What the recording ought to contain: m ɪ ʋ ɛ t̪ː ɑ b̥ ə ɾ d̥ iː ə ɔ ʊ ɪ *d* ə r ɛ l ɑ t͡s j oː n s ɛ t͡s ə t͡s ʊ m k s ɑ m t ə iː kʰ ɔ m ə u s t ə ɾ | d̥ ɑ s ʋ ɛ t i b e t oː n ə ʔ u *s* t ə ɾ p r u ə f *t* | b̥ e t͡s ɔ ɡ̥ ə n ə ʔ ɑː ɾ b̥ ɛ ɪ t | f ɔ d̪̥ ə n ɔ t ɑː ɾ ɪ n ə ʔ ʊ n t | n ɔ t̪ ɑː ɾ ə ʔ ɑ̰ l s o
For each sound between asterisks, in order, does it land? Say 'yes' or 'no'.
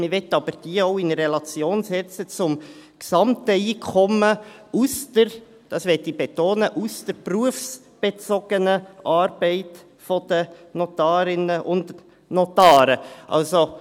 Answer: no, yes, no

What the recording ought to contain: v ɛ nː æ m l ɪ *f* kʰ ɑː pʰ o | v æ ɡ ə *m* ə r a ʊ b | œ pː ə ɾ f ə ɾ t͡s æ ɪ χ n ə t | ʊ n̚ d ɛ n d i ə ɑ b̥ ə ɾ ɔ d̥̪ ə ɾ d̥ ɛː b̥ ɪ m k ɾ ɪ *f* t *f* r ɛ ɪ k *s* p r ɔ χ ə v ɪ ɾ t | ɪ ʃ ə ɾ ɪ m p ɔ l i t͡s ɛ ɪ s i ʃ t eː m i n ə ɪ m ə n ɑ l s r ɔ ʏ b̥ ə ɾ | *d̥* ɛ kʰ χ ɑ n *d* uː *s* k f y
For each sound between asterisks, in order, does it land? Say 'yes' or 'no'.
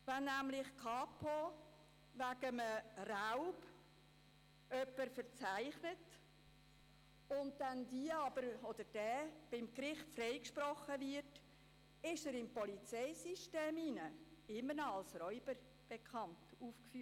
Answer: no, yes, no, yes, no, no, no, no

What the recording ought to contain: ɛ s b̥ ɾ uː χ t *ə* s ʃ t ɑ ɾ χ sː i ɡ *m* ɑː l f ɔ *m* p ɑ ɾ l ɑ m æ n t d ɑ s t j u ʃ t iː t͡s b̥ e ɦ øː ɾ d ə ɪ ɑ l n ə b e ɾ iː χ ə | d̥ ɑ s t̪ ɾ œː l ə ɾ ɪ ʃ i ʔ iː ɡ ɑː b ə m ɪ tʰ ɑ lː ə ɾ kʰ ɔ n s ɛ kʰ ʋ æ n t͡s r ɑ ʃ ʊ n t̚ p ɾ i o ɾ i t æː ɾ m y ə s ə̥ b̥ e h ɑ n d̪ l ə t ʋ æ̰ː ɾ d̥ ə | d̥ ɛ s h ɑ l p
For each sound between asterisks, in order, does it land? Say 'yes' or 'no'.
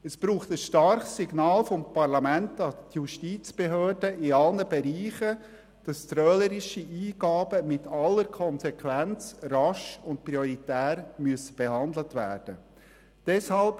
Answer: yes, no, yes

